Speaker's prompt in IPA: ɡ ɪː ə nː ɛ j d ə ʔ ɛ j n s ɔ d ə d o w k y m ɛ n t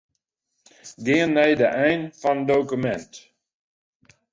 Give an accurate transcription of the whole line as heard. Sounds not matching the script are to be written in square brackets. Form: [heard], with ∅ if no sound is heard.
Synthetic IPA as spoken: ɡ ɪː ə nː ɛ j d ə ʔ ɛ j n [f] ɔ [n] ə d o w k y m ɛ n t